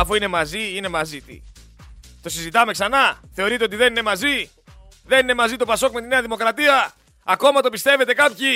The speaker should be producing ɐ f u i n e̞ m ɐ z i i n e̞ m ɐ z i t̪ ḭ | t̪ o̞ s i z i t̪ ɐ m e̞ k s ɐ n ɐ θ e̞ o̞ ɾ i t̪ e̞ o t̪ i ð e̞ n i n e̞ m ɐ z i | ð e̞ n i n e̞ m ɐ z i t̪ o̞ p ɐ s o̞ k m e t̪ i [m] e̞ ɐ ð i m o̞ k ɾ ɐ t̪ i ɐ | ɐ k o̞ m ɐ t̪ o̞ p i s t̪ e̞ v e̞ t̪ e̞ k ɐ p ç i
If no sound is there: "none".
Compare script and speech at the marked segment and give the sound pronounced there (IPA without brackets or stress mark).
n